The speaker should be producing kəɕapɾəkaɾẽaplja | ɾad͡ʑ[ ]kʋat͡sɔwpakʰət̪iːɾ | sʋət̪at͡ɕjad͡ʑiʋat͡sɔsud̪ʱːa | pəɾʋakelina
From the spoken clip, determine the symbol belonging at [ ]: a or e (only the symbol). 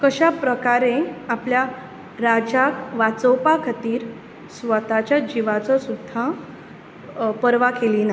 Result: a